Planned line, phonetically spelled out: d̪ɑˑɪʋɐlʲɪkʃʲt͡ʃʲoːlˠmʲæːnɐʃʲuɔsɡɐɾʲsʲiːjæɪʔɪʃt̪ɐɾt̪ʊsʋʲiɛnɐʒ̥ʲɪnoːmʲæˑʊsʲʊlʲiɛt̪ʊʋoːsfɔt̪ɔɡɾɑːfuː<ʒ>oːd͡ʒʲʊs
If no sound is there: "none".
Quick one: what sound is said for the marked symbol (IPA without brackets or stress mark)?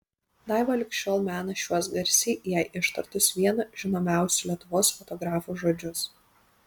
ʒ